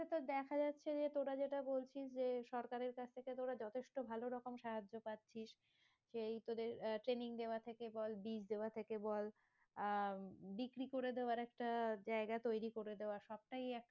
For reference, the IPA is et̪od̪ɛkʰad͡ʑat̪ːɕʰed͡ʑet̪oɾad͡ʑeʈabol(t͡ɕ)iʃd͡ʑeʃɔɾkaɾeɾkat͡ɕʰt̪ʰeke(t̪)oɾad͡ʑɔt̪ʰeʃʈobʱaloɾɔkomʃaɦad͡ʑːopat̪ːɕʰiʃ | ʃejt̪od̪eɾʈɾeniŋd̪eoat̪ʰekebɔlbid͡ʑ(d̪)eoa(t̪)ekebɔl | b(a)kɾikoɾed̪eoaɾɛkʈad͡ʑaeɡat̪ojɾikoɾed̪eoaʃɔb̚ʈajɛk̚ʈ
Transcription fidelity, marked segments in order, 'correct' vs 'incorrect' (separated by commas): incorrect, correct, correct, incorrect, incorrect